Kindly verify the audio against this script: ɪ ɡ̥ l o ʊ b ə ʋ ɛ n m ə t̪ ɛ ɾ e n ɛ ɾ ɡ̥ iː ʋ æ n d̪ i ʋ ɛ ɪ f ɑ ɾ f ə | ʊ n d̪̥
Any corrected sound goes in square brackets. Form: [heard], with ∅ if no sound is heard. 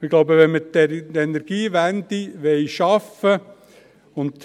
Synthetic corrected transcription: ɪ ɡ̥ l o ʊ b ə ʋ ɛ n m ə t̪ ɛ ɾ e n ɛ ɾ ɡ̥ iː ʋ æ n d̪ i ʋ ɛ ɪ [ʃ] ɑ [∅] f ə | ʊ n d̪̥